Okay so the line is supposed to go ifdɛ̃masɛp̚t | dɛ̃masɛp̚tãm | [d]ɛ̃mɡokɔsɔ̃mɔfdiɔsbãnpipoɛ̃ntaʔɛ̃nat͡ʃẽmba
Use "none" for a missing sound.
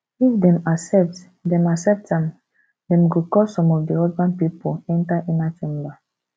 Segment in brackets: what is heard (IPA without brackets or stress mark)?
d